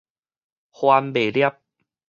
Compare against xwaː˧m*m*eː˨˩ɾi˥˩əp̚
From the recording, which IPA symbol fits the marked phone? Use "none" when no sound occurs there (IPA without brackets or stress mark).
b